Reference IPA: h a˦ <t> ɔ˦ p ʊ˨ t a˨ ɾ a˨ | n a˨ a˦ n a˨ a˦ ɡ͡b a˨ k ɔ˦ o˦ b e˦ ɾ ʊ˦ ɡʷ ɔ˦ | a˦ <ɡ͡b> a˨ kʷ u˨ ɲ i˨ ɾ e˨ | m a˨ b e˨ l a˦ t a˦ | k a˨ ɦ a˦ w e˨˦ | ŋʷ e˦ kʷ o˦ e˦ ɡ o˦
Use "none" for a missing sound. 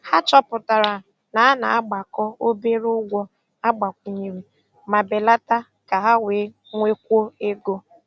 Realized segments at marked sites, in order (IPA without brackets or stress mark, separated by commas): t͡ʃ, ɡ͡b